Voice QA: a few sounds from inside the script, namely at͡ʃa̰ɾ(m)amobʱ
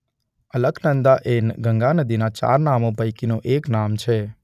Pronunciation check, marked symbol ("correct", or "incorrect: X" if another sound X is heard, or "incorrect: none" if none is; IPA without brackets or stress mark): incorrect: n